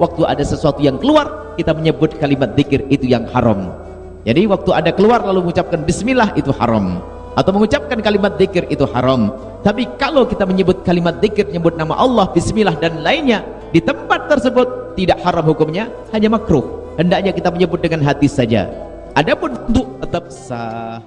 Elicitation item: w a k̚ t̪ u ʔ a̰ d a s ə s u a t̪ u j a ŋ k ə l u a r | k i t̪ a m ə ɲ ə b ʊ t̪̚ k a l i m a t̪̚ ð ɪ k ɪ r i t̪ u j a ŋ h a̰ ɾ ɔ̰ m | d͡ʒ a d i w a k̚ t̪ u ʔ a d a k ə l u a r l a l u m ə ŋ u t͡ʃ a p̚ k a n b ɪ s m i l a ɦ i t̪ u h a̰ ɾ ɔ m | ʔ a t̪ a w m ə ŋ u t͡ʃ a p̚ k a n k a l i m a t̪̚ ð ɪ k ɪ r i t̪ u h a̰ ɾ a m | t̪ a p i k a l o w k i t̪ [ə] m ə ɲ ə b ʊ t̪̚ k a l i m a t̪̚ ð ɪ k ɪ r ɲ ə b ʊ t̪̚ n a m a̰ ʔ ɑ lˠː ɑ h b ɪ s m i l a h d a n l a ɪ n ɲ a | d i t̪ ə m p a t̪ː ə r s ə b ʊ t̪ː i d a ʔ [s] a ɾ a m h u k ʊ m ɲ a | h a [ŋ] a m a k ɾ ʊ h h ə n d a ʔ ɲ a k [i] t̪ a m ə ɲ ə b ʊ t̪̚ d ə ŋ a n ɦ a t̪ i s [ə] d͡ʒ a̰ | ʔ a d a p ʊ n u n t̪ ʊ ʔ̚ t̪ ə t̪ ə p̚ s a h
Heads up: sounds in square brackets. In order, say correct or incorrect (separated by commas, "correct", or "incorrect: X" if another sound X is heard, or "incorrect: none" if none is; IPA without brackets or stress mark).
incorrect: a, incorrect: h, incorrect: ɲ, correct, incorrect: a